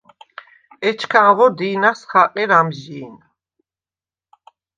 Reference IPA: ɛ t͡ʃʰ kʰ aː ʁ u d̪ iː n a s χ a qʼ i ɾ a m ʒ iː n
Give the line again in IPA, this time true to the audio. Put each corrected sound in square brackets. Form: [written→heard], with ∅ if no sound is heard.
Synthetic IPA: ɛ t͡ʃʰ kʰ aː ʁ [u→ɔ] d̪ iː n a s χ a qʼ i ɾ a m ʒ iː n